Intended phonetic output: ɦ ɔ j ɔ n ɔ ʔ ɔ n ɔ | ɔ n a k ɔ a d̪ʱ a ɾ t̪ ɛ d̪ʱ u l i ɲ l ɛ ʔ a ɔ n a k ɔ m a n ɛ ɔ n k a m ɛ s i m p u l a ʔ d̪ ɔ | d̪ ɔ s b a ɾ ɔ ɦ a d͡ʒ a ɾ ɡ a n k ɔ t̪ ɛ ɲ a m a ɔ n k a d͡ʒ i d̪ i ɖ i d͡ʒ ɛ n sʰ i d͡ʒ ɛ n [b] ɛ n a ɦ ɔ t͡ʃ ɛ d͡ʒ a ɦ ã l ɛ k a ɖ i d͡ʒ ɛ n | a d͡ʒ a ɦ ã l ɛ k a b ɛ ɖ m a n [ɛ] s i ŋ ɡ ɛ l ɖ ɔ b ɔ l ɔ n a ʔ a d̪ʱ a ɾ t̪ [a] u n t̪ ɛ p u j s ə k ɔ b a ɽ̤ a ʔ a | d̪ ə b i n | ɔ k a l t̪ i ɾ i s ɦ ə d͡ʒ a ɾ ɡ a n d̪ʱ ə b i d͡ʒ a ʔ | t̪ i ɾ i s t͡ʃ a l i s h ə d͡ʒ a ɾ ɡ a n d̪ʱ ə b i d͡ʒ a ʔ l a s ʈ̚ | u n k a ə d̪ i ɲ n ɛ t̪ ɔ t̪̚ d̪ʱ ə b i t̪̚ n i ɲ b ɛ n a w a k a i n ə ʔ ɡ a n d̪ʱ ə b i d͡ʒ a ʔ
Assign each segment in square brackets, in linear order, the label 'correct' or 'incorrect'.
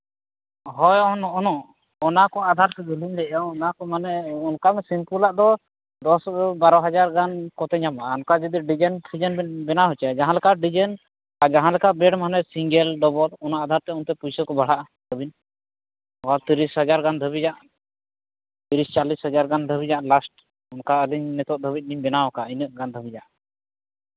correct, correct, incorrect: ɛ

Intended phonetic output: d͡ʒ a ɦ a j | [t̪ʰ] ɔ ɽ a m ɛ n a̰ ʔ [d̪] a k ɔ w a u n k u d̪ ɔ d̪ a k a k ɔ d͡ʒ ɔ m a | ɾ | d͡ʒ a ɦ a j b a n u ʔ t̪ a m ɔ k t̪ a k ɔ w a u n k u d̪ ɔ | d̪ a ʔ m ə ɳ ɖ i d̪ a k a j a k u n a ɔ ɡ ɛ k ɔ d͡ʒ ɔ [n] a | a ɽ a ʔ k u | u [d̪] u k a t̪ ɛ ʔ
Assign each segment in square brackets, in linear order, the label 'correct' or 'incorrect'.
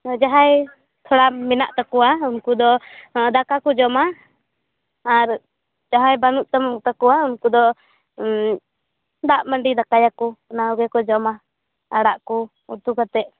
correct, incorrect: t̪, incorrect: m, incorrect: t̪

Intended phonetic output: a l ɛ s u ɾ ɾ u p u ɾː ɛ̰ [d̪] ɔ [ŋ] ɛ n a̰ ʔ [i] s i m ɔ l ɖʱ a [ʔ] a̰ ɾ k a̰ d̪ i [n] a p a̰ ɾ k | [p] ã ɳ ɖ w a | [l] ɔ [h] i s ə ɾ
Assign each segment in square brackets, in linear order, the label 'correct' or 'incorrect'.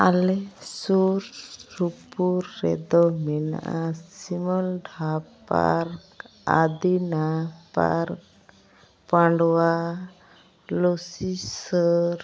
correct, incorrect: m, incorrect: a, incorrect: p, correct, correct, correct, incorrect: s

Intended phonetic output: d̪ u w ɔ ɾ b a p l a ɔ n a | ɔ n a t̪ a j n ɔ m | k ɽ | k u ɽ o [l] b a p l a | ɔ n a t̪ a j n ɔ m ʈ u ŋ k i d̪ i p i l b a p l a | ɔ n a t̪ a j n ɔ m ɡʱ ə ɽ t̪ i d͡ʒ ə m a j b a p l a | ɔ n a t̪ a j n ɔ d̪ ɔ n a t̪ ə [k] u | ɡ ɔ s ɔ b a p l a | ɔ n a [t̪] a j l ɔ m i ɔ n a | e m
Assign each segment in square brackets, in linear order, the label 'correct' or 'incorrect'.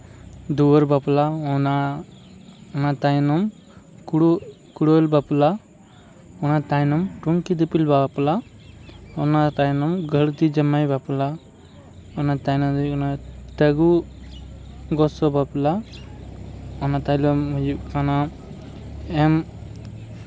correct, incorrect: ɡ, correct

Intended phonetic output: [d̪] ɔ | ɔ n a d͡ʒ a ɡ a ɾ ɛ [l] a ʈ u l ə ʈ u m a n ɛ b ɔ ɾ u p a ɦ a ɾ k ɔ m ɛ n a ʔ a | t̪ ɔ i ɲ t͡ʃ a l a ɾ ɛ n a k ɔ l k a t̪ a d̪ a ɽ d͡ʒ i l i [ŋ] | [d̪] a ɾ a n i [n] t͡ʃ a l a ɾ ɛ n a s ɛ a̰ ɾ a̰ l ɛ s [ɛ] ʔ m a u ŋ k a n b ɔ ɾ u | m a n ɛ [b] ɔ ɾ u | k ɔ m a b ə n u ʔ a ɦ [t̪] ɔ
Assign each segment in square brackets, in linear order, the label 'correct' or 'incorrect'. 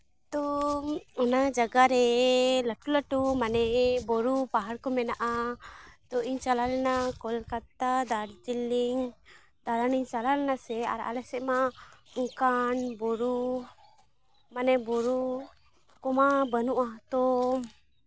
incorrect: t̪, correct, correct, correct, incorrect: ɲ, correct, correct, correct

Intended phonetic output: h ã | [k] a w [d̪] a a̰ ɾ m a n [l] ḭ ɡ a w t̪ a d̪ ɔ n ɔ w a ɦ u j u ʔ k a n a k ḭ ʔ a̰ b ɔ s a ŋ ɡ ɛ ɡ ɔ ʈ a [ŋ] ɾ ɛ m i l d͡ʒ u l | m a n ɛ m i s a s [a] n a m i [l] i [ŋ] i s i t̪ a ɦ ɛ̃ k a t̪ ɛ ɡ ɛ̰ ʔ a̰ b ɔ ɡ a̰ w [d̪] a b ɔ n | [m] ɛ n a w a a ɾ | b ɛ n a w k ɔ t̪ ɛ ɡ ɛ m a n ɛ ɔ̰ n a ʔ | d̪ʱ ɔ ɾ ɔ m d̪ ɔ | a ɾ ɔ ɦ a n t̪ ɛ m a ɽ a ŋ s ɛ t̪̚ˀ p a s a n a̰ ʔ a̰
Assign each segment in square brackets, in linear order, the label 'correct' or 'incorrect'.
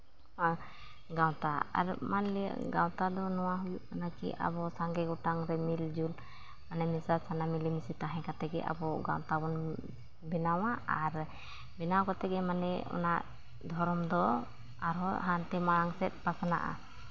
incorrect: ɡ, incorrect: t̪, correct, correct, correct, correct, incorrect: m, incorrect: t̪, incorrect: b

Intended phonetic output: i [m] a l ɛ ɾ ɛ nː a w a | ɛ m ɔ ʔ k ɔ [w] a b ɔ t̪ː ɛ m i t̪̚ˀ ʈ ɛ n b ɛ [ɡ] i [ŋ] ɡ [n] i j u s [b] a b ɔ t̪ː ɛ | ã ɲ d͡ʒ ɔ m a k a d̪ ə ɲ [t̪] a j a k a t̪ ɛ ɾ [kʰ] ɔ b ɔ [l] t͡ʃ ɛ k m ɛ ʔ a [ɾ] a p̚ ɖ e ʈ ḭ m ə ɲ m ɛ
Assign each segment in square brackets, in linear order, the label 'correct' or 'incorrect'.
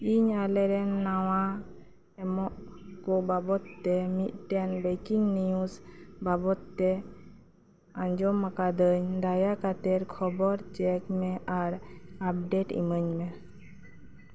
incorrect: ɲ, incorrect: b, incorrect: k, correct, correct, correct, incorrect: d̪, correct, incorrect: ɾ, correct

